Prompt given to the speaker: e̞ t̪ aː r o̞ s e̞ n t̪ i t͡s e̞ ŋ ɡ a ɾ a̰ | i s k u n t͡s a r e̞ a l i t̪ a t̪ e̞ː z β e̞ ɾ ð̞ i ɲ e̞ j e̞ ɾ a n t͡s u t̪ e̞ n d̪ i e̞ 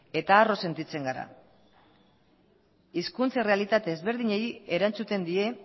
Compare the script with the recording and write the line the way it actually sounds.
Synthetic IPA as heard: e̞ t̪ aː r o̞ s e̞ n t̪ i t͡s e̞ ŋ ɡ a ɾ a̰ | i s k u n t͡s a r e̞ a l i t̪ a t̪ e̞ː z β e̞ ɾ ð̞ i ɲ e̞ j e̞ ɾ a n t͡s u t̪ e̞ n d̪ i e̞